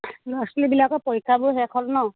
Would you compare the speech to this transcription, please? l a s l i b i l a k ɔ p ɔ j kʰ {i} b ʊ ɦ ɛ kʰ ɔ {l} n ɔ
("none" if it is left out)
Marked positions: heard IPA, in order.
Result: a, l

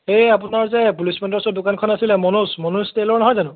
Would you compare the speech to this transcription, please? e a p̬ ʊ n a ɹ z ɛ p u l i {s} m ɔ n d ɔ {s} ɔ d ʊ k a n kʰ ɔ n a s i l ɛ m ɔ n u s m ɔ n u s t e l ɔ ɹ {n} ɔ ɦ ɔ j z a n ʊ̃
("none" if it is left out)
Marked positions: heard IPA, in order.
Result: s, s, n

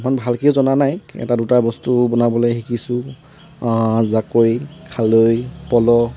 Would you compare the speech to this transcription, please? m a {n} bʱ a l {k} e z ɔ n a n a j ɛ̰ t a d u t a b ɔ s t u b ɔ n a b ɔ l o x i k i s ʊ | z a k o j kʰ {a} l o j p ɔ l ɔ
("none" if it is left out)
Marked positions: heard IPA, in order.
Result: n, k, a

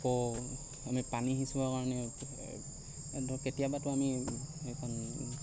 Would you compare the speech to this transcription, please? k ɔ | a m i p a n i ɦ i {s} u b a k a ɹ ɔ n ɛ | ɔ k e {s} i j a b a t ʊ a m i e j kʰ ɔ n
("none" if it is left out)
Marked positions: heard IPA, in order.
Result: s, t

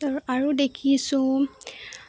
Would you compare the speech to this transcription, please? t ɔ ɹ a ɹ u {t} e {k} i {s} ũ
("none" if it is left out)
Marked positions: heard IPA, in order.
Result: d, kʰ, s

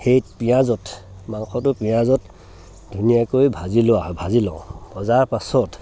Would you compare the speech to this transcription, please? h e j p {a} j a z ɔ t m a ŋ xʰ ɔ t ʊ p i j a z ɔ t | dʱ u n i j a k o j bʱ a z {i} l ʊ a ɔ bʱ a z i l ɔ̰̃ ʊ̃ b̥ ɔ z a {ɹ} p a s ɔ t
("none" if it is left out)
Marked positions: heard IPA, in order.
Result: i, i, ɹ

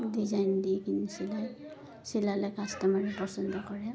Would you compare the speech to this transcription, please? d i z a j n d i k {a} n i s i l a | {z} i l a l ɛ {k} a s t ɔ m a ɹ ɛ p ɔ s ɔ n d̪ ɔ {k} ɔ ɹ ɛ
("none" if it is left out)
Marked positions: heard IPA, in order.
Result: i, s, k, k

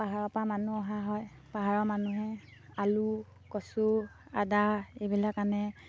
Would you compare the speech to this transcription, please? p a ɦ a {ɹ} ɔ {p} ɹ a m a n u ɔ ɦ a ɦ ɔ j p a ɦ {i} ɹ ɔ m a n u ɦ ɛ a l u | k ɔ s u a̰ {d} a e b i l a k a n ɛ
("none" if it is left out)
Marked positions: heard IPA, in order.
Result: ɹ, p, a, d

